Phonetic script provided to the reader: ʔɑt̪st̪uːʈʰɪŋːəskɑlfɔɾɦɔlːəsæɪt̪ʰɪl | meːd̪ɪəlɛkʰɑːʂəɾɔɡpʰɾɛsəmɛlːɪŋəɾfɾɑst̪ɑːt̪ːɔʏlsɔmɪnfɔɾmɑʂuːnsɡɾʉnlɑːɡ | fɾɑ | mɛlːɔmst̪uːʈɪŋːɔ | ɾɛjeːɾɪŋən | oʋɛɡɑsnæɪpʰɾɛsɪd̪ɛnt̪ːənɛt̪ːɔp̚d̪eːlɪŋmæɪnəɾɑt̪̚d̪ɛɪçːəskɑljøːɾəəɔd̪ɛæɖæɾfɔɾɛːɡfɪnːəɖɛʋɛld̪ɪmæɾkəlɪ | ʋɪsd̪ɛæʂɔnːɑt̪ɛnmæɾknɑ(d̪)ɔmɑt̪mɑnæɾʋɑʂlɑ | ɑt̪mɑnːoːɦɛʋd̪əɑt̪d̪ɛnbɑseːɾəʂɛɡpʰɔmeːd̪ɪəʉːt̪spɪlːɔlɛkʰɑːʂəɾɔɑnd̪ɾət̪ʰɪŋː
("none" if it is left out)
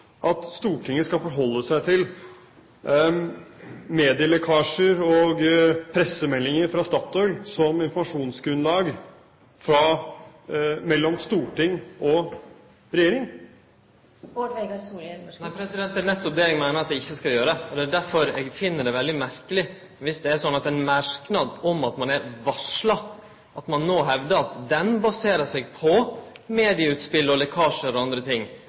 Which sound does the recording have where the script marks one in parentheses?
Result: d̪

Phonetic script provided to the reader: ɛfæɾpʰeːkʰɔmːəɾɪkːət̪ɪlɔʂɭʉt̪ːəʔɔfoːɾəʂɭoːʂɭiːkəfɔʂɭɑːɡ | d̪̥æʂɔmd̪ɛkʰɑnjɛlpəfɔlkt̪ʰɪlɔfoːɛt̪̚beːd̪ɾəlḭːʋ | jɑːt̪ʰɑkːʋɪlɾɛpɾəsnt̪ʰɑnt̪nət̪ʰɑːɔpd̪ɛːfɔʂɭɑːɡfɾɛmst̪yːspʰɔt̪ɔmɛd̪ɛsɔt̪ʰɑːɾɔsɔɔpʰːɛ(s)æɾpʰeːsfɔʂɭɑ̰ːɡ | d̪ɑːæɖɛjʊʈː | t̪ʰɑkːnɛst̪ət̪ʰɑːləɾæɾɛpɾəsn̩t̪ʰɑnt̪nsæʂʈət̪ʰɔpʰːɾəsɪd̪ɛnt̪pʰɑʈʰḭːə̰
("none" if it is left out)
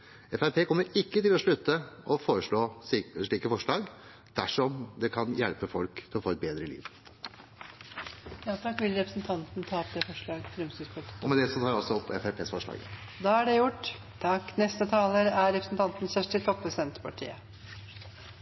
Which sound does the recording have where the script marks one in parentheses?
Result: f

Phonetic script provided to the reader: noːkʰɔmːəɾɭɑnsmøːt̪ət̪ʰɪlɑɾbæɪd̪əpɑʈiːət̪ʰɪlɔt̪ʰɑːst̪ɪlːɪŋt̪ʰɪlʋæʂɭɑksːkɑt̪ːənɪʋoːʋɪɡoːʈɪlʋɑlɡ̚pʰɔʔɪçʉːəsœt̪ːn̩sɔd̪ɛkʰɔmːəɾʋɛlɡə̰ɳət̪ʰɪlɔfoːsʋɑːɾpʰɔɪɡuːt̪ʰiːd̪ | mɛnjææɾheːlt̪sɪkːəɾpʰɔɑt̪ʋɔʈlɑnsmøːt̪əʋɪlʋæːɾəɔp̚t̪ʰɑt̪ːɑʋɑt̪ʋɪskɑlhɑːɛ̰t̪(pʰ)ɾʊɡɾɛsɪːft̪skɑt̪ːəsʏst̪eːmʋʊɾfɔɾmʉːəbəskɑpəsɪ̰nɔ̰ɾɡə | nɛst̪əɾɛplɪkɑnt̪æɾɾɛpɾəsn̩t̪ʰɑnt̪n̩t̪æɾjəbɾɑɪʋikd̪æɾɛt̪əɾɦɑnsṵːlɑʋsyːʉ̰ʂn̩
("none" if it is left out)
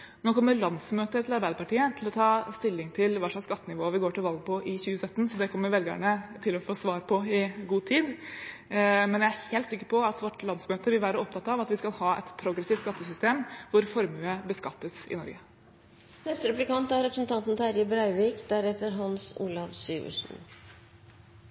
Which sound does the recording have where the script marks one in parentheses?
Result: pʰ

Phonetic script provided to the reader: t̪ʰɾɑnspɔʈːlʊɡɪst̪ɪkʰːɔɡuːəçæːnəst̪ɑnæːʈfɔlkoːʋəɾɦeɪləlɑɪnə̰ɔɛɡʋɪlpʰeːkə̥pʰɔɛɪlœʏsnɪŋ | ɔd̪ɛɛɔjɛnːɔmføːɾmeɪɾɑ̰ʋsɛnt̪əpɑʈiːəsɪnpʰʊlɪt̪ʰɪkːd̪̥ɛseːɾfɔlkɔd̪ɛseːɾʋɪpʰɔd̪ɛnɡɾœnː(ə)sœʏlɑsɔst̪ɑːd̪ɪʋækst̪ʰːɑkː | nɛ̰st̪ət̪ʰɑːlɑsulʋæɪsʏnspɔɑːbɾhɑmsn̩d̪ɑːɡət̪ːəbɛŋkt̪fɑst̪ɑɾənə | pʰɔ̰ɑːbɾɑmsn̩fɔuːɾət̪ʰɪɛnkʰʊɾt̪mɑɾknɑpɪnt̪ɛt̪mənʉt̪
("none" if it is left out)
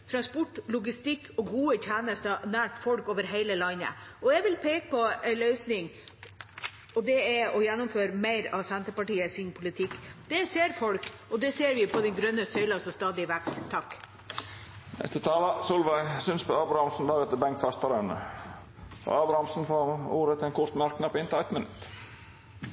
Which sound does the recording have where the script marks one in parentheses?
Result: ə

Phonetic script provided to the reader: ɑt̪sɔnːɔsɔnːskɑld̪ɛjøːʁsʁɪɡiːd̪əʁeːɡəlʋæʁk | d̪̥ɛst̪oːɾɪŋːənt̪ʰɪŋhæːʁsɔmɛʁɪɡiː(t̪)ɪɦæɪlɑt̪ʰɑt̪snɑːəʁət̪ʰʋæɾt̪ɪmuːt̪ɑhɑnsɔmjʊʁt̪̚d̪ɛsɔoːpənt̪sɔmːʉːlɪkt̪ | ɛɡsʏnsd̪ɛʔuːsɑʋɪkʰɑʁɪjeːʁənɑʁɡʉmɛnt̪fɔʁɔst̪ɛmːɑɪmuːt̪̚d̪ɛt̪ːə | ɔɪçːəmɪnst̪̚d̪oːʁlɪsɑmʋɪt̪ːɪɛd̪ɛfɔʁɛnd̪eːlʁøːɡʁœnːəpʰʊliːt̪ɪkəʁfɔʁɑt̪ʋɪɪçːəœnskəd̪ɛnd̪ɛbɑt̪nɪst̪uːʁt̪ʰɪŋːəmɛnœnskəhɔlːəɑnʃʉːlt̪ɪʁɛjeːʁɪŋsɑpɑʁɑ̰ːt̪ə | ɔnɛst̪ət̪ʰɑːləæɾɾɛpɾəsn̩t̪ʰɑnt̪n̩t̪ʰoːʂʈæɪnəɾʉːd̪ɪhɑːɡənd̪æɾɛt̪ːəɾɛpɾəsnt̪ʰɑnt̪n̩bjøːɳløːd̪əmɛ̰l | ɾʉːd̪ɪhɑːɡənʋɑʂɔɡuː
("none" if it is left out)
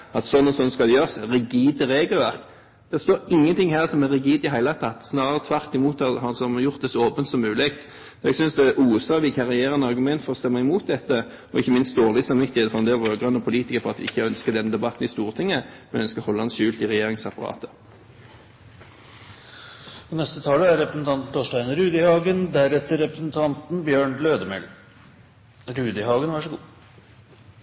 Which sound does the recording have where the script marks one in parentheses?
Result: d̪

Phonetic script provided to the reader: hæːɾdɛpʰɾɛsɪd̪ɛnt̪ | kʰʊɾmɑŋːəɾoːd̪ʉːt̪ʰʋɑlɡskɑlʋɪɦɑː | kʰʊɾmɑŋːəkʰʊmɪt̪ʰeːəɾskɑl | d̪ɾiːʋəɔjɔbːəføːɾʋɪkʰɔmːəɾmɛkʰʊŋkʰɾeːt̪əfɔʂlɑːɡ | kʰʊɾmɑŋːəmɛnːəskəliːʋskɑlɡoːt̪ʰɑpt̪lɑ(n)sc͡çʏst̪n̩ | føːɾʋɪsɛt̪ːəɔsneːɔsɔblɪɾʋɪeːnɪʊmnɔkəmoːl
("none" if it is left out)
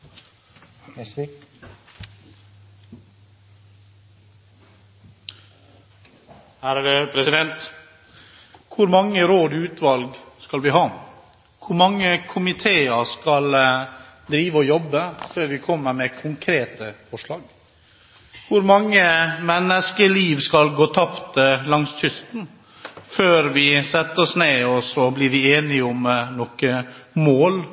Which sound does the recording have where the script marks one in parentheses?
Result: ŋ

